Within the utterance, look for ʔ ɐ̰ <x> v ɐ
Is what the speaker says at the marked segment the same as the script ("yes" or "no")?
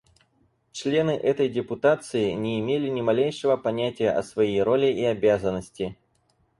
no